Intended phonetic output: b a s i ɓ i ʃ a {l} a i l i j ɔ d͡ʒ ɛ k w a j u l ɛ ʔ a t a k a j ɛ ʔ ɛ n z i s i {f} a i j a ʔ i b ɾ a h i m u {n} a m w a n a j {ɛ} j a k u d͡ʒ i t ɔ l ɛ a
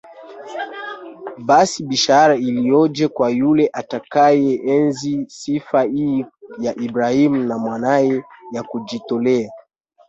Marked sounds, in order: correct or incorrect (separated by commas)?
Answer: incorrect, correct, correct, correct